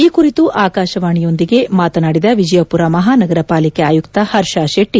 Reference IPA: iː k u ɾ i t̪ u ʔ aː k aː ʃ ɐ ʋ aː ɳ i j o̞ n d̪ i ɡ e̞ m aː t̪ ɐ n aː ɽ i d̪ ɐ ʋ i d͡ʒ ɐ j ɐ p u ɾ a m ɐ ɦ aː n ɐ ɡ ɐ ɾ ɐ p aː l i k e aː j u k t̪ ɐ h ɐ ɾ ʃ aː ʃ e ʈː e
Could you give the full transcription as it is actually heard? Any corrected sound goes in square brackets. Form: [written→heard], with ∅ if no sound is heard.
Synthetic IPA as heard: iː k u ɾ i t̪ u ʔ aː k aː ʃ ɐ ʋ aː ɳ i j o̞ n d̪ i ɡ e̞ m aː t̪ ɐ n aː ɽ i d̪ ɐ ʋ i d͡ʒ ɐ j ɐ p u ɾ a m ɐ ɦ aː n ɐ ɡ ɐ ɾ ɐ p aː l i k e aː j u k t̪ ɐ h ɐ ɾ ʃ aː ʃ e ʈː [e→i]